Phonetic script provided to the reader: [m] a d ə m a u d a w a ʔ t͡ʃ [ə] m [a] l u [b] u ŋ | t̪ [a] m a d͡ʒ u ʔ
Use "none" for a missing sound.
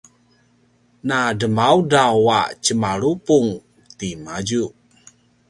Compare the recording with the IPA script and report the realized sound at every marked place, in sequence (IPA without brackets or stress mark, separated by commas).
n, ə, a, p, i